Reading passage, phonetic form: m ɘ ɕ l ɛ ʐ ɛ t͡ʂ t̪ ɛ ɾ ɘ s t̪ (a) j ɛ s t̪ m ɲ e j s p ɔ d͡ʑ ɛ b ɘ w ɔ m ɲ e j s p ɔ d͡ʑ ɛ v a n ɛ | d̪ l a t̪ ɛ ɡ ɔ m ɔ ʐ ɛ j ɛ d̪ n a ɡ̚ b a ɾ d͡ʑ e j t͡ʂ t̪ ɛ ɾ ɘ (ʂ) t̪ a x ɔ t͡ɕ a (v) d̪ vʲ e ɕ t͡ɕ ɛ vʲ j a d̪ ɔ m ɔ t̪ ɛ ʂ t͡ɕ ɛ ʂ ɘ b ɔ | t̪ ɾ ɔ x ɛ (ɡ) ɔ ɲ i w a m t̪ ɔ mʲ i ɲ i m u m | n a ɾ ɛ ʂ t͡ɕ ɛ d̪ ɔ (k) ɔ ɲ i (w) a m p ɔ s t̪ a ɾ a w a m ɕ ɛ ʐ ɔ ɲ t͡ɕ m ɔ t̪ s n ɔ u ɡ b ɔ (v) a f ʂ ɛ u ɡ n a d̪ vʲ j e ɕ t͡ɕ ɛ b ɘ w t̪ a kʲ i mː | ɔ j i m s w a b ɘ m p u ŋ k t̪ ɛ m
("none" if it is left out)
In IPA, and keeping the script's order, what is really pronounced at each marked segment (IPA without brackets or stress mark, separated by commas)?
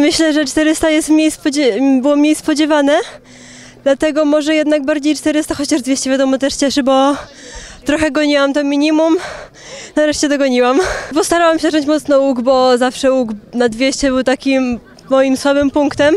a, s, ʐ, ɡ, ɡ, w, z